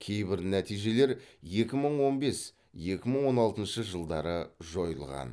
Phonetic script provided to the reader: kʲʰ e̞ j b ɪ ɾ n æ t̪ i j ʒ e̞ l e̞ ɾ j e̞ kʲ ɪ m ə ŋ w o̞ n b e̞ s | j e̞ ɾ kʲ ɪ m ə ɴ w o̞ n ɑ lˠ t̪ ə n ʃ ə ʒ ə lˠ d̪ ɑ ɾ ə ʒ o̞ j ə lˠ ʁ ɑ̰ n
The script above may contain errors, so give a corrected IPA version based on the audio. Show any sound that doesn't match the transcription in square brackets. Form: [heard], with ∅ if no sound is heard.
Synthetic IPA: kʲʰ e̞ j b ɪ ɾ n æ t̪ i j ʒ e̞ l e̞ ɾ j e̞ kʲ ɪ m ə [ɴ] w o̞ n b e̞ s | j e̞ [∅] kʲ ɪ m ə ɴ w o̞ n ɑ lˠ t̪ ə n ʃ ə ʒ ə lˠ d̪ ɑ ɾ ə ʒ o̞ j ə lˠ ʁ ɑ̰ n